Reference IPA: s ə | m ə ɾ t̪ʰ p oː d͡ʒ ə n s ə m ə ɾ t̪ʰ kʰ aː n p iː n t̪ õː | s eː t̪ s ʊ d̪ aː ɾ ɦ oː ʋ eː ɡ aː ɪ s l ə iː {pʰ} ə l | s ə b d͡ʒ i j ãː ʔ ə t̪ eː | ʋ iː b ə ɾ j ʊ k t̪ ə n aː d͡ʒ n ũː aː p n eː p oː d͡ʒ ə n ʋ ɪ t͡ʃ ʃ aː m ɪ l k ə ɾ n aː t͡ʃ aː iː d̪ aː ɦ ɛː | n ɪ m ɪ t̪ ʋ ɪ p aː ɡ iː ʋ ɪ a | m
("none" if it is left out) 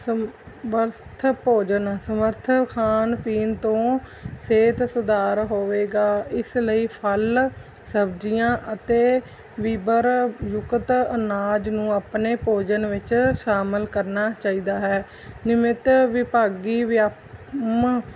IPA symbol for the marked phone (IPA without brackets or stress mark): pʰ